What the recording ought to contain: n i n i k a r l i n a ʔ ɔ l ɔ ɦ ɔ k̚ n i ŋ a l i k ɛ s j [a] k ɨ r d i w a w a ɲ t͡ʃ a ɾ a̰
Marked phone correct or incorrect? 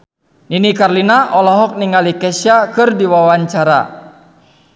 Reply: correct